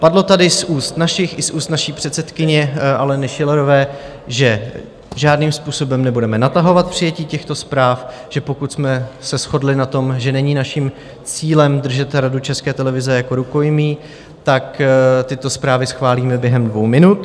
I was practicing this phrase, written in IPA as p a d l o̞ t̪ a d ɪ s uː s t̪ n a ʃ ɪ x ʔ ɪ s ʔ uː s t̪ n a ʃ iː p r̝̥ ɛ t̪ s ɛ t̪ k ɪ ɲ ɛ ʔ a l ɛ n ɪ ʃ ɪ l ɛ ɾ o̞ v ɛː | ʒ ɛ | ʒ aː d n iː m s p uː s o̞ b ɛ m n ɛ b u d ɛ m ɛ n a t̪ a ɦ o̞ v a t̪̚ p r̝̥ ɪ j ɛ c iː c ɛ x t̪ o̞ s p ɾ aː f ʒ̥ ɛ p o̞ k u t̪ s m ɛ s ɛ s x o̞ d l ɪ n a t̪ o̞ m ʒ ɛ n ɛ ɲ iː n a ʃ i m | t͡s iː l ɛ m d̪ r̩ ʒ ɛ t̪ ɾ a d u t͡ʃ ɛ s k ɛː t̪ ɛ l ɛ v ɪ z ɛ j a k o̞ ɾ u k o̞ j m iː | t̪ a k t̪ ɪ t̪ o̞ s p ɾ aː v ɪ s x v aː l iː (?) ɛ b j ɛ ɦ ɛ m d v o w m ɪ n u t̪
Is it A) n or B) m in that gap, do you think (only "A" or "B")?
B